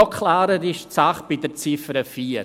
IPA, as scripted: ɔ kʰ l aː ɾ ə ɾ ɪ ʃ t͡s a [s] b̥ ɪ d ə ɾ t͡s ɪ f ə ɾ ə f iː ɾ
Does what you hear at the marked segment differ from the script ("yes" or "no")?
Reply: yes